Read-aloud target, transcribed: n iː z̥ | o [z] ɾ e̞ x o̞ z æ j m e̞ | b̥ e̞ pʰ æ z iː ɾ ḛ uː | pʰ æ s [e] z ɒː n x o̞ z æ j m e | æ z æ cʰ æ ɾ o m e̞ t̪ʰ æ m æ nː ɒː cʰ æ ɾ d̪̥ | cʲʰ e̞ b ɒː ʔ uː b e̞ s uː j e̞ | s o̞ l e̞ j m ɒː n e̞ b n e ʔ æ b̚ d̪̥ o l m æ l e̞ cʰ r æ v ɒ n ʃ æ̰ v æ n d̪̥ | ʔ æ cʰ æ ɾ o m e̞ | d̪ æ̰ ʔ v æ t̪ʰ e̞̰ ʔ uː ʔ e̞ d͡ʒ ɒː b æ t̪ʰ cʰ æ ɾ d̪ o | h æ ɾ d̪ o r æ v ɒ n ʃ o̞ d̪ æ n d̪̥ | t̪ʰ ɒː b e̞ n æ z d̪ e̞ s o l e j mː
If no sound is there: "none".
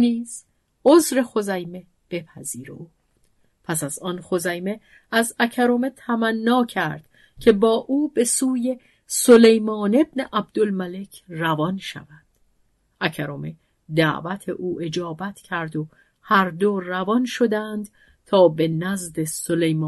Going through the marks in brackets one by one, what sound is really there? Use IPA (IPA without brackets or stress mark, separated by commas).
z, æ